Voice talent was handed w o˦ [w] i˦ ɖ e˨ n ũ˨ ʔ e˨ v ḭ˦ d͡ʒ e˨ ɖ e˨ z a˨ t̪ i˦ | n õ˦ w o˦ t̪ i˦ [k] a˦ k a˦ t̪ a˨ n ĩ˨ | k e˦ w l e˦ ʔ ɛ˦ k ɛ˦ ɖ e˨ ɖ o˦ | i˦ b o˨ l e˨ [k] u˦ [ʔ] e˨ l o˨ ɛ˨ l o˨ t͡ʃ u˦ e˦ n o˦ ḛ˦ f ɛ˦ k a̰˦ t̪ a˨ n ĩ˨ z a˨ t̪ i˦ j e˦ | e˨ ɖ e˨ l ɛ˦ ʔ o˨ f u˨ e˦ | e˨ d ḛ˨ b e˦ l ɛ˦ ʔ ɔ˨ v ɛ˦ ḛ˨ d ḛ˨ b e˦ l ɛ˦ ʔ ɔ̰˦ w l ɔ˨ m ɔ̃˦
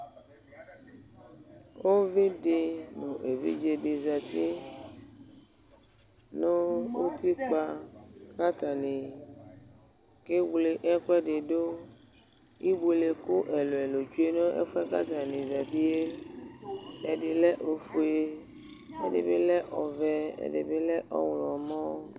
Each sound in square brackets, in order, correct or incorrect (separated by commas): incorrect, incorrect, correct, correct